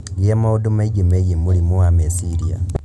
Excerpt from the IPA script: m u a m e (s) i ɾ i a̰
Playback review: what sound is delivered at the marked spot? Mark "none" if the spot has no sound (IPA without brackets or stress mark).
s